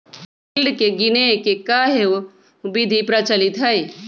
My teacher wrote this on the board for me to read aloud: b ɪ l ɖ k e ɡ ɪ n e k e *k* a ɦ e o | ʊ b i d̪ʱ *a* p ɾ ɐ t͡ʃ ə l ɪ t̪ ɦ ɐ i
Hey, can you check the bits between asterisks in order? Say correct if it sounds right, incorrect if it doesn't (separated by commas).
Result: correct, incorrect